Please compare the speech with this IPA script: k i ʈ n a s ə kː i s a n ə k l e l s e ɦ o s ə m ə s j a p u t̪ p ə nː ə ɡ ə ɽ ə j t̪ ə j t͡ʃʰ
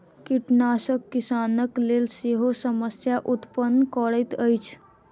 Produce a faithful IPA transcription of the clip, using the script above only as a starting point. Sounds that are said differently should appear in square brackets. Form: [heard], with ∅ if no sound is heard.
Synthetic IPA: k i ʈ n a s ə kː i s a n ə k l e l s e ɦ o s ə m ə s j a [ʔ] u t̪ p ə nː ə [k] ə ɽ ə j t̪ ə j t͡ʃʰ